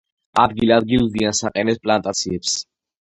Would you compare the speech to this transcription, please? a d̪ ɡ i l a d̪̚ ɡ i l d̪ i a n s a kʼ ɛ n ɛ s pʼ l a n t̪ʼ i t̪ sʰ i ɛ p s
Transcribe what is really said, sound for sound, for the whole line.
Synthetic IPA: a d̪ ɡ i l a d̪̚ ɡ i l d̪ i a n s a qʼ ɛ n ɛ s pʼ l a n t̪ʼ a t̪ sʰ i ɛ p s

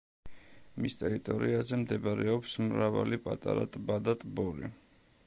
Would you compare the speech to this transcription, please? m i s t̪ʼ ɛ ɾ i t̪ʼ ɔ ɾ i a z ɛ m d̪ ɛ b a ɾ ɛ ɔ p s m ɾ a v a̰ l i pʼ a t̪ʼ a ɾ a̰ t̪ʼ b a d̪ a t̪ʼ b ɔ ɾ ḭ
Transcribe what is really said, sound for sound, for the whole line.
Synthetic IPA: m i s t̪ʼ ɛ ɾ i t̪ʼ ɔ ɾ i a z ɛ m d̪ ɛ b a ɾ ɛ ɔ p s m ɾ a v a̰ l i pʼ a t̪ʼ a ɾ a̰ t̪ʼ b a d̪ a t̪ʼ b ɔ ɾ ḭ

